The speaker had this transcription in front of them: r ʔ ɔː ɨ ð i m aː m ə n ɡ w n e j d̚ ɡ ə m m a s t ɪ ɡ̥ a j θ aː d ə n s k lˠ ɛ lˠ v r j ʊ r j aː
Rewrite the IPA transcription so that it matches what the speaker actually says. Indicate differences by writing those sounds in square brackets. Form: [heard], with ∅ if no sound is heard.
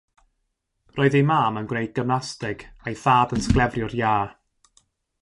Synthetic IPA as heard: r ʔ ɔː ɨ ð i m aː m ə n ɡ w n e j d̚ ɡ ə m [n] a s t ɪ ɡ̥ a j θ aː d ə n s k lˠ ɛ [∅] v r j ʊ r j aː